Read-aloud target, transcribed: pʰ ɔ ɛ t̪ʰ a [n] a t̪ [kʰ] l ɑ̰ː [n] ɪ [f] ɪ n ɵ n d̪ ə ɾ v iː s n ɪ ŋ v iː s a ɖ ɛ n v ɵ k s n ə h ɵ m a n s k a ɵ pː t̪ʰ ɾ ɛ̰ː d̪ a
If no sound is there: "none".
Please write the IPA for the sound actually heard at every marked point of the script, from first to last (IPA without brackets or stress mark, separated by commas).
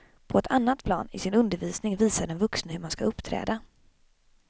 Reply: nː, pʰ, n, s